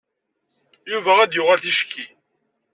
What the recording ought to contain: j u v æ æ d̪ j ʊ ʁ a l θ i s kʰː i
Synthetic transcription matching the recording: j u v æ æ d̪ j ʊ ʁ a l θ i ʃ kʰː i